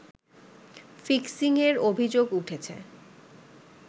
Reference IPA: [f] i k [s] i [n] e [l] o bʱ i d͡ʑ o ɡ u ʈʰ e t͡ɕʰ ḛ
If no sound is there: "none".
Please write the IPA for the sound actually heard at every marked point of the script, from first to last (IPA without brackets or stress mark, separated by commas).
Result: f, s, ŋ, ɾ